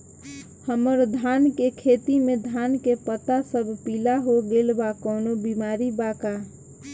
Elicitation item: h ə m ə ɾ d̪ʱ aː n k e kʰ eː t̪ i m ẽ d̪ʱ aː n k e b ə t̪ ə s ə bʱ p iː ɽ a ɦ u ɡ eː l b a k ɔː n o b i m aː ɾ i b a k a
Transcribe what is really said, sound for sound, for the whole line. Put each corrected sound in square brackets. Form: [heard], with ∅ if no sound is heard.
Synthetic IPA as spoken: h ə m ə ɾ d̪ʱ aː n k e kʰ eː t̪ i m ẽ d̪ʱ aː n k e [p] ə t̪ [a] s ə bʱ p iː [l] a ɦ [o] ɡ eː l b a k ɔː n o b i m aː ɾ i b a k a